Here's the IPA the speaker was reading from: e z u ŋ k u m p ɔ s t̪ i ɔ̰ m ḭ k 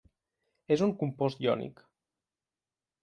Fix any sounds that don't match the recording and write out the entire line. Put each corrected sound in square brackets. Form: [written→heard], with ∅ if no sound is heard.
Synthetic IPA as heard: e z u ŋ k u m p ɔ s t̪ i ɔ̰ [m→n] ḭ k